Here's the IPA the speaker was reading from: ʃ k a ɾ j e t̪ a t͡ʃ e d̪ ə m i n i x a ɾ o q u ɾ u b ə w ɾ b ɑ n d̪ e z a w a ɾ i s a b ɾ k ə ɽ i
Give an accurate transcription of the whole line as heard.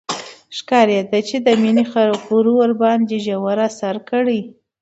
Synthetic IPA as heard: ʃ k ɑ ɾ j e d̪ a t͡ʃ e d̪ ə m i n i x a ɾ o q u ɾ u w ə ɾ b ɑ n d̪ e ʒ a w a ɾ a s a ɾ k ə ɽ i